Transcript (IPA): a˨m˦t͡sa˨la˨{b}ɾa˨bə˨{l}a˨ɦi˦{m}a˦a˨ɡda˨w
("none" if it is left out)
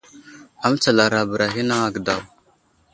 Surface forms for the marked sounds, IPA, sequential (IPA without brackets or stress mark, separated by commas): none, ɾ, n